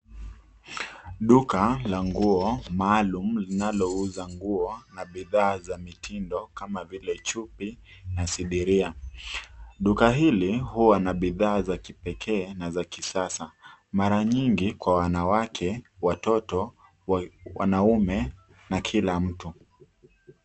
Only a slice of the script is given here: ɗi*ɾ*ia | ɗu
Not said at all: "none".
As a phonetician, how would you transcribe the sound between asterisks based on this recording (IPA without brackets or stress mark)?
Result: ɾ